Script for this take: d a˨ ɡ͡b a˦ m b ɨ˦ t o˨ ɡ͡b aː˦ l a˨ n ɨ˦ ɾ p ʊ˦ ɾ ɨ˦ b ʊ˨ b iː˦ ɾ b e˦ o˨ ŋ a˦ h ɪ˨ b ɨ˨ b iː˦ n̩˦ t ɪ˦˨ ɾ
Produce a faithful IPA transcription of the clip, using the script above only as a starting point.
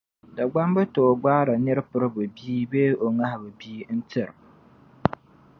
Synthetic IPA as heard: d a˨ ɡ͡b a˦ m b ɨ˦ t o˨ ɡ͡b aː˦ ɾ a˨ n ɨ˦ ɾ p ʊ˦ ɾ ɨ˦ b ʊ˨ b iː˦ b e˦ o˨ ŋ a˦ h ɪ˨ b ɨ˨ b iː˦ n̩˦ t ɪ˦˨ ɾ